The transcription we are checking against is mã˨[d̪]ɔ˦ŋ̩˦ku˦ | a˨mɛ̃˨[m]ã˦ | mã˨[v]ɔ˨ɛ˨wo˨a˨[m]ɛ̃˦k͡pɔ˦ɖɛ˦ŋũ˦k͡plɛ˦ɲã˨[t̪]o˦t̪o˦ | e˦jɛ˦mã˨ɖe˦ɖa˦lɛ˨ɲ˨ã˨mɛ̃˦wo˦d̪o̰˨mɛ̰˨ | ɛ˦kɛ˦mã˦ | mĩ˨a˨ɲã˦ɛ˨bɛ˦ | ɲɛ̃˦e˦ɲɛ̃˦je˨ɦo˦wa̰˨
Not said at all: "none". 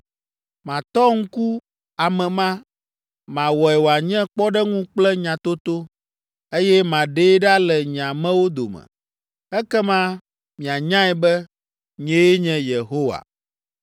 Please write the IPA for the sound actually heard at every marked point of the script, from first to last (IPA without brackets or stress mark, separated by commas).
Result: t̪, m, w, ɲ, t̪